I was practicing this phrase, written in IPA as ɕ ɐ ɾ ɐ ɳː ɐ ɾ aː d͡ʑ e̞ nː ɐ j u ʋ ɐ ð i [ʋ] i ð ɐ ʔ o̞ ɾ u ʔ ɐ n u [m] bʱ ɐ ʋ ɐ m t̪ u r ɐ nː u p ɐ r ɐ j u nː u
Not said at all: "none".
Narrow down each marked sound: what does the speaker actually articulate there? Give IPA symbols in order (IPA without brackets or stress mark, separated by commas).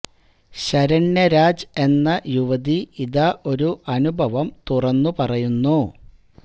none, none